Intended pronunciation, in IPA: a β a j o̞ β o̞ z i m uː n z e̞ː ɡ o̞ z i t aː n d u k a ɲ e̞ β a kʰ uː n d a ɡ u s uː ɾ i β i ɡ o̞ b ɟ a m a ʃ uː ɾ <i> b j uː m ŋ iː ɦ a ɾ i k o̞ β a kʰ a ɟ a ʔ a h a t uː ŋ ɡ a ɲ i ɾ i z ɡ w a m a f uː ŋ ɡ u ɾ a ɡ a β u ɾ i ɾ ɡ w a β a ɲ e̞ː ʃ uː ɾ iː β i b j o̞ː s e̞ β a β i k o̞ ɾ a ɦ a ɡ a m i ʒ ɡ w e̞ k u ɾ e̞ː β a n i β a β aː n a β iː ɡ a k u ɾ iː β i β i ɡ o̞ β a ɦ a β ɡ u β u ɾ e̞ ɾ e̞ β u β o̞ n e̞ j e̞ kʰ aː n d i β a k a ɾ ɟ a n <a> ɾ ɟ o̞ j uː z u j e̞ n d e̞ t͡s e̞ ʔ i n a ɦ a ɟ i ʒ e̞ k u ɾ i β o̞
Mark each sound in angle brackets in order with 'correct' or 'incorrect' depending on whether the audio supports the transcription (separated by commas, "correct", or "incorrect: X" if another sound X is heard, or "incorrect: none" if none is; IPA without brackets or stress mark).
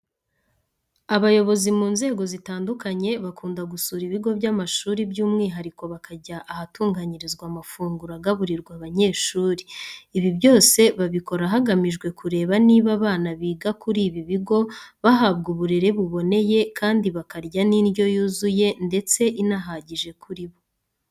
correct, incorrect: i